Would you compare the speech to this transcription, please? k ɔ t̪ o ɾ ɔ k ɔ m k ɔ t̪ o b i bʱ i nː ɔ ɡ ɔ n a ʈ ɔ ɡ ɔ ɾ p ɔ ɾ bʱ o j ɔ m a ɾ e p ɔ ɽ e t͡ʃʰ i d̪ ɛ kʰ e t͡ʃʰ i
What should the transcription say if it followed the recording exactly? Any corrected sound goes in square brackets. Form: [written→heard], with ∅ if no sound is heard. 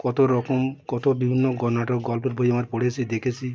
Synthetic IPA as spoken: k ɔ t̪ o ɾ ɔ k ɔ m k ɔ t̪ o b i bʱ i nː ɔ ɡ ɔ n a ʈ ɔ ɡ ɔ [ɾ→l] p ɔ ɾ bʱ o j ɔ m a ɾ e p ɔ ɽ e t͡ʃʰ i d̪ [ɛ→e] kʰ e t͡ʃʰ i

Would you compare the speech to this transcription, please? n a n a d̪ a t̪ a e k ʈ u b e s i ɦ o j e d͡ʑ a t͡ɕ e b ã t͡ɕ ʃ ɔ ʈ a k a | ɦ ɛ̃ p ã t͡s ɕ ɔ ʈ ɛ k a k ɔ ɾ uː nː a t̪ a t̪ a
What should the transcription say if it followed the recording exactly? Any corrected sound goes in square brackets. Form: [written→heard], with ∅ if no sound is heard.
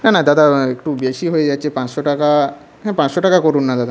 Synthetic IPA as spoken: n a n a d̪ a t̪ a e k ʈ u b e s i ɦ o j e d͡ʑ a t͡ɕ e [b→p] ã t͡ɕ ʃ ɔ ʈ a k a | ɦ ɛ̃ p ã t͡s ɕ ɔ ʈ [ɛ→a] k a k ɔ ɾ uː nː a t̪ a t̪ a

